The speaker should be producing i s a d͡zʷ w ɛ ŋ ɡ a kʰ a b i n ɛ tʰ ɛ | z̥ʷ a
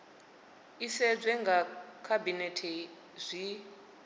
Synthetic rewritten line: i s ɛ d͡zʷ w ɛ ŋ ɡ a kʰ a b i n ɛ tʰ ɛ | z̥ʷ i